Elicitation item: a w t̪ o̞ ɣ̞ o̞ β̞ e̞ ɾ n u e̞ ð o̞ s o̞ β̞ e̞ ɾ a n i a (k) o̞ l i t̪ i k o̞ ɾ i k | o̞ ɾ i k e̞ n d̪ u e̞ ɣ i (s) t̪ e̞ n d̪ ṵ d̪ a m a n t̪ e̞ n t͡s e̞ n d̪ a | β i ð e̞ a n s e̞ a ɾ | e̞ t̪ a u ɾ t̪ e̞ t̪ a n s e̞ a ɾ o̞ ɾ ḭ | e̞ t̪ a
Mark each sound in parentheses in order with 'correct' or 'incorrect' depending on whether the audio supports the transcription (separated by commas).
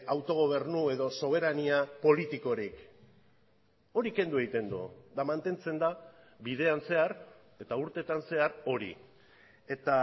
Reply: incorrect, incorrect